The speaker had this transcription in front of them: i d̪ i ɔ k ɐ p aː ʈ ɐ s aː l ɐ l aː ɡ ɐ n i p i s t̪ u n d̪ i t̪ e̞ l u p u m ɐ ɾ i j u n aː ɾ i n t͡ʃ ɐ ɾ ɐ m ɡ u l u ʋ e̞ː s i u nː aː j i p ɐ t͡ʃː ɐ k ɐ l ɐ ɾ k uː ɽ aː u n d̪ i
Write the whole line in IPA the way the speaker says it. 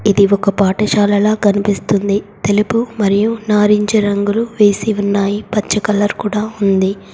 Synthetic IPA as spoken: i d̪ i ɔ k ɐ p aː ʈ ɐ ʃ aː l ɐ l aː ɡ ɐ n i p i s t̪ u n d̪ i t̪ e̞ l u p u m ɐ ɾ i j u n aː ɾ i ɲ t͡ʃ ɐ ɾ ɐ ŋ ɡ u l u ʋ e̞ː s i u nː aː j i p ɐ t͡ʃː ɐ k ɐ l ɐ ɾ k uː ɽ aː u n d̪ i